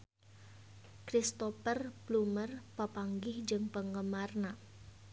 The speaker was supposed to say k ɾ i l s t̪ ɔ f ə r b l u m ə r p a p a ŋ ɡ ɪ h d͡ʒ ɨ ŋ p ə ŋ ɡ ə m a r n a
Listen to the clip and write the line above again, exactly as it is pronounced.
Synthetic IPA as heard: k ɾ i s t̪ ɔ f ə r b l u m ə r p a p a ŋ ɡ ɪ h d͡ʒ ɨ ŋ p ə ŋ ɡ ə m a r n a